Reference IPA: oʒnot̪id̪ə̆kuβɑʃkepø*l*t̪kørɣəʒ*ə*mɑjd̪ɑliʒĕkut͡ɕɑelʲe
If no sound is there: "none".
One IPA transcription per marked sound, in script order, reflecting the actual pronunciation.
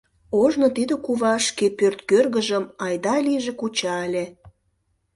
r, ə

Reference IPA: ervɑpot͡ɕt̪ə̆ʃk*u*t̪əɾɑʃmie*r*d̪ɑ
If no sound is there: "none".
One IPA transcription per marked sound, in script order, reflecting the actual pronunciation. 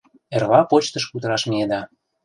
u, none

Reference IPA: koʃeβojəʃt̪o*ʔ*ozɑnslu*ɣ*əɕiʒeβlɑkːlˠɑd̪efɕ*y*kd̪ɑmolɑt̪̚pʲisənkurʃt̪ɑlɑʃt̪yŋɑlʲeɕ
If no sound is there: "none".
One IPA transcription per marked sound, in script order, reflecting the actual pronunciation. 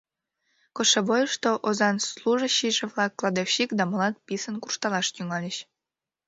ʔ, ʒ, i

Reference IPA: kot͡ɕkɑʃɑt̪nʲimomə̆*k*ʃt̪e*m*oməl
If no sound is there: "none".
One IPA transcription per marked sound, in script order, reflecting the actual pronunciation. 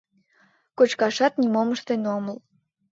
none, n

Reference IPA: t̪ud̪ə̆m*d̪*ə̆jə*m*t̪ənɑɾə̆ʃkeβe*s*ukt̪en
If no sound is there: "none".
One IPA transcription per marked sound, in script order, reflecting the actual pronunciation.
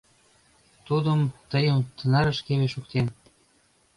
t̪, m, ʃ

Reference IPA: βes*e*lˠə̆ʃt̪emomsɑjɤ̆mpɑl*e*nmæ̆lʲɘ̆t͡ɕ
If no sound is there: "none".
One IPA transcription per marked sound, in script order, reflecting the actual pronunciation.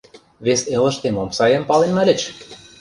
e, e

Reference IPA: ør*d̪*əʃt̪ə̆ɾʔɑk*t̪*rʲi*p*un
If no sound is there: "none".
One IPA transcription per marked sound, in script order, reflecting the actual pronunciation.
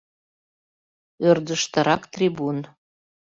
d̪, t̪, b

